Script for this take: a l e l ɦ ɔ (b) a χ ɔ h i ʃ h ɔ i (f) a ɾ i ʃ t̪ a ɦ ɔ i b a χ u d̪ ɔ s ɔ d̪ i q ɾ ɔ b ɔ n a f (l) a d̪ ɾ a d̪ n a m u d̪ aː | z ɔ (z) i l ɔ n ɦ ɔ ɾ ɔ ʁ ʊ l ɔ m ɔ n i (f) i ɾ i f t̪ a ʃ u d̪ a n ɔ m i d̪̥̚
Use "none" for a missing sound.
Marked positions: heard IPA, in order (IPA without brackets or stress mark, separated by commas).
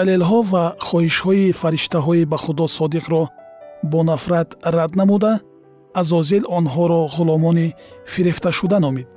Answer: v, f, ɾ, z, f